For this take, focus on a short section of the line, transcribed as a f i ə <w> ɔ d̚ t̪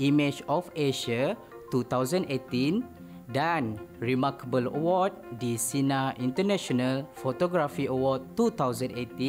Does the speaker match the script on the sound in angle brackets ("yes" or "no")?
yes